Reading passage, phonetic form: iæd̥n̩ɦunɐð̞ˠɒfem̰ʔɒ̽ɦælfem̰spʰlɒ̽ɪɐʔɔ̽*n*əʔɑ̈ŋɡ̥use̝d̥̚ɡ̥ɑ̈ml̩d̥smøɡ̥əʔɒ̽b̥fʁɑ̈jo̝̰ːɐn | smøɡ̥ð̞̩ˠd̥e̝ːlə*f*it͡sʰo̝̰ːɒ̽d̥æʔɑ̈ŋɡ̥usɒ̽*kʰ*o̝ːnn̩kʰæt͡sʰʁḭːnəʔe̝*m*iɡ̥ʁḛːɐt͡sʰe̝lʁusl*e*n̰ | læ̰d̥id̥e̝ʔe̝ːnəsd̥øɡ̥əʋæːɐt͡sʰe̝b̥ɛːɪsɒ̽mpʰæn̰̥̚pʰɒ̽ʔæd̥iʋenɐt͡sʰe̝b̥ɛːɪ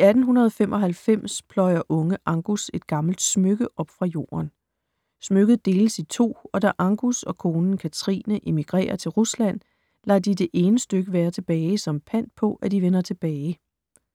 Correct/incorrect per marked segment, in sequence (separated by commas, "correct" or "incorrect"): incorrect, incorrect, correct, correct, incorrect